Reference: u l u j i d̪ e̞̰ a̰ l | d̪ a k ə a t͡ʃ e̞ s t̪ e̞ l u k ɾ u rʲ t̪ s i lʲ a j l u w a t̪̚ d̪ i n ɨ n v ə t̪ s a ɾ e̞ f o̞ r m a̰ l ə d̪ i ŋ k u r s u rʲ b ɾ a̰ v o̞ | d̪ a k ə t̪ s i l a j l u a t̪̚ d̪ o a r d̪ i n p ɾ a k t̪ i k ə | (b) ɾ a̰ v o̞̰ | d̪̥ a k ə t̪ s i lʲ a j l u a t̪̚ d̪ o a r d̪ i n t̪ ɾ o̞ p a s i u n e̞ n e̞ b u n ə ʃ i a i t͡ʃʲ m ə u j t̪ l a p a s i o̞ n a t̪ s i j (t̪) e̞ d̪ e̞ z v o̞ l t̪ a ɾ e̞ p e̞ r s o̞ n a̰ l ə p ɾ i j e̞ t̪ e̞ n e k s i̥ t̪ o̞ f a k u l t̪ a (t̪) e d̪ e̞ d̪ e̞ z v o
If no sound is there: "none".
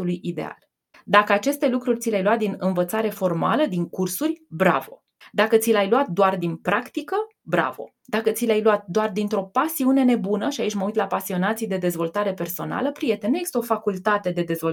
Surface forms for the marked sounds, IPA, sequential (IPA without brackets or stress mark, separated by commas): b, d̪, t̪